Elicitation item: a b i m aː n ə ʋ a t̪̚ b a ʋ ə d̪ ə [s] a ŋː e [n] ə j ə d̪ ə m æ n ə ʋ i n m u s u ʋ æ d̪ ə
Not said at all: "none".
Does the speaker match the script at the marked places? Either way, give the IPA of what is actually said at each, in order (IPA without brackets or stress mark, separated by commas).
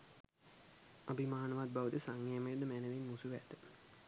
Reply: s, m